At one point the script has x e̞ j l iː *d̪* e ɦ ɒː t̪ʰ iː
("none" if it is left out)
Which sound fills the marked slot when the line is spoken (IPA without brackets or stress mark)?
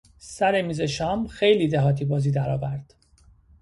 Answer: d̪